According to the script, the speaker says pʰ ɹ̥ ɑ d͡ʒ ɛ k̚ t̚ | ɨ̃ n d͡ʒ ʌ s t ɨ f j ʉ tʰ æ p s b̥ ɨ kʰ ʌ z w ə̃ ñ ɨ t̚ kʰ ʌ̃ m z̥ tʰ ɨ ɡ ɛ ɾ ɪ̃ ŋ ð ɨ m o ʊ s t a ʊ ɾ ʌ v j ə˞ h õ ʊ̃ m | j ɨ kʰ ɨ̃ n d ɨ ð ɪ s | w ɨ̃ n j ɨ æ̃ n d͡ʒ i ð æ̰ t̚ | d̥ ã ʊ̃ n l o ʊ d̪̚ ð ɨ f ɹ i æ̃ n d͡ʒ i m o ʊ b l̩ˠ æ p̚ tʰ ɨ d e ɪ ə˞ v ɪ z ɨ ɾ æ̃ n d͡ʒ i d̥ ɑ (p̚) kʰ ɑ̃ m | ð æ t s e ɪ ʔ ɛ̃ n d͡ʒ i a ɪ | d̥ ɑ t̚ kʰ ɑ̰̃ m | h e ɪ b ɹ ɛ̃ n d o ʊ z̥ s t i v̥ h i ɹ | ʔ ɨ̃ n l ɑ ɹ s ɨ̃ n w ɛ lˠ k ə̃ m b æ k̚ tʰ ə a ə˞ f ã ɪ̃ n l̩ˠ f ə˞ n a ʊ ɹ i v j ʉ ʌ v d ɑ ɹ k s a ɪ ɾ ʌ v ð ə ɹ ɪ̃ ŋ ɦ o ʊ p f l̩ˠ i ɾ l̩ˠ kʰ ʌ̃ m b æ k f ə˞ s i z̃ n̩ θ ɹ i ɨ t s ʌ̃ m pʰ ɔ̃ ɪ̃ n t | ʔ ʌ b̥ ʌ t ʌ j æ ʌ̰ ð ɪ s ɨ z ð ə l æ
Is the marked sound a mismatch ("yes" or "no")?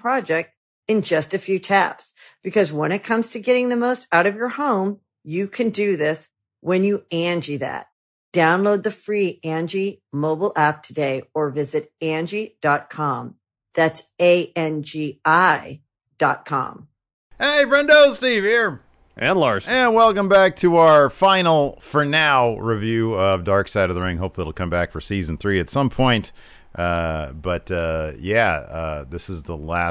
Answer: yes